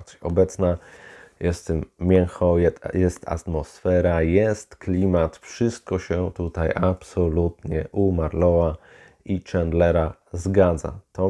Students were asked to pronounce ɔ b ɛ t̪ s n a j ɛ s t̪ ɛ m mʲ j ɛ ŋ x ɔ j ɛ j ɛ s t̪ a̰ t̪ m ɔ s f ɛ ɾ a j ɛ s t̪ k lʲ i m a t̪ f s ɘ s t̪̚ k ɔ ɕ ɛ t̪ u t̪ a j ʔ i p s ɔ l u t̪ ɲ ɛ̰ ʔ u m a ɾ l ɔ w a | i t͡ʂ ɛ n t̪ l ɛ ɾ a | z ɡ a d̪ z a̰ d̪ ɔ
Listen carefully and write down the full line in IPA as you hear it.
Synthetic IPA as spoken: ɔ b ɛ t̪ s n a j ɛ s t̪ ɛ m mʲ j ɛ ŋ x ɔ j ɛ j ɛ s t̪ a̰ t̪ m ɔ s f ɛ ɾ a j ɛ s t̪ k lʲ i m a t̪ f ʂ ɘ s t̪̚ k ɔ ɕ ɛ t̪ u t̪ a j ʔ a p s ɔ l u t̪ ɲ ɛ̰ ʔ u m a ɾ l ɔ w a | i t͡ʂ ɛ n d̪ l ɛ ɾ a | z ɡ a d̪ z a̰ t̪ ɔ